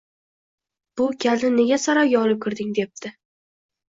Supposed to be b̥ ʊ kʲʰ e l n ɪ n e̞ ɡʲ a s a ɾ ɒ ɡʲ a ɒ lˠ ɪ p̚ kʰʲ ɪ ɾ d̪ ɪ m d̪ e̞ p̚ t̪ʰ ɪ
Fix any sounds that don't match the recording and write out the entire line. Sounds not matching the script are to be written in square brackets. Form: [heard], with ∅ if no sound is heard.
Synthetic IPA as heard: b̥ ʊ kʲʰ [a] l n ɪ n e̞ ɡʲ a s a ɾ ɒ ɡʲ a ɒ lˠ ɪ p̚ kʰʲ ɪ ɾ d̪ ɪ [ŋ] d̪ e̞ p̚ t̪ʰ ɪ